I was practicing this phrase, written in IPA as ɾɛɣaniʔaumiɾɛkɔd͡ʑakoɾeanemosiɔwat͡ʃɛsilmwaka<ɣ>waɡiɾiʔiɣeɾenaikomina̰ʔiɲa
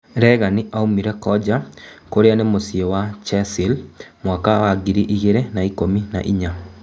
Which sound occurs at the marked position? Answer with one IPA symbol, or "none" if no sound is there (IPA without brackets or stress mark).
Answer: none